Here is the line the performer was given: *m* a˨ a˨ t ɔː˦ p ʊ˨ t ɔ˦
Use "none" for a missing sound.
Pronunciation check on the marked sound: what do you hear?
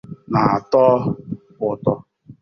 n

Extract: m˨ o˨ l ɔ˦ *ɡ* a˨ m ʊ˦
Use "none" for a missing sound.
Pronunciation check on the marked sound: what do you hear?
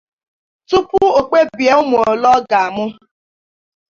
ɡ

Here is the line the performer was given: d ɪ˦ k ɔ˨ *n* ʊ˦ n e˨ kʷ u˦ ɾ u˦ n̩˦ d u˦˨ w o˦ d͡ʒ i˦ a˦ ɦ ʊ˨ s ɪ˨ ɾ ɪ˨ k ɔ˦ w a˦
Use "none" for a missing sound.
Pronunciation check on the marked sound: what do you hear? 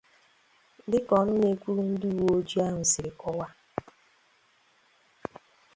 n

